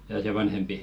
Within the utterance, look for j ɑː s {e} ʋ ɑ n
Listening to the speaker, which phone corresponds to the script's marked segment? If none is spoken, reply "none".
e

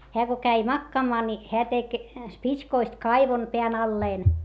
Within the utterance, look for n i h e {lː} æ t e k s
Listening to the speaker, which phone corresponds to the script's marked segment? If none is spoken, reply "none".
none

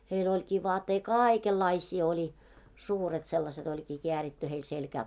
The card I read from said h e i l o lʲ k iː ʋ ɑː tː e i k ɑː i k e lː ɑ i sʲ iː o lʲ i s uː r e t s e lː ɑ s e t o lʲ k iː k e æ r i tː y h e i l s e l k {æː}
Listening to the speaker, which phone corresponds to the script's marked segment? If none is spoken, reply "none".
æː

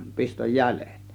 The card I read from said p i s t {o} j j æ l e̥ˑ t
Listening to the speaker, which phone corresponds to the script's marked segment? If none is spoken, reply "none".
o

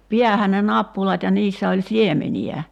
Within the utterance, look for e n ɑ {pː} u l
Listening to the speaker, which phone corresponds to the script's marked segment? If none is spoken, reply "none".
pː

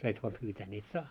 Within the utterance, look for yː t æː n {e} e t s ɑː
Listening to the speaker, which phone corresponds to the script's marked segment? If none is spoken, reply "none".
i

